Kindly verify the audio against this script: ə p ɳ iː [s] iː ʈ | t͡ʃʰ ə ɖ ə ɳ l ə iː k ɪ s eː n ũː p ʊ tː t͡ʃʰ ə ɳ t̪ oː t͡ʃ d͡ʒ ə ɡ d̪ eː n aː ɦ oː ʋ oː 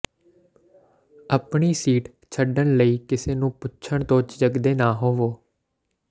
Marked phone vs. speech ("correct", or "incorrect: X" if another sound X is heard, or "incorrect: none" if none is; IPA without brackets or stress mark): correct